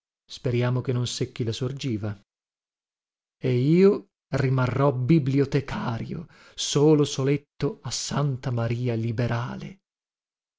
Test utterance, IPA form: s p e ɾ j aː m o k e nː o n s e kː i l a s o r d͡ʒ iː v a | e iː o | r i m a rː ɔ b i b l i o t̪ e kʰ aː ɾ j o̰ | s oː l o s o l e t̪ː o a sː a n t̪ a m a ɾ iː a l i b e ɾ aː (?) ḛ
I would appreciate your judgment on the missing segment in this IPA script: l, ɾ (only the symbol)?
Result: l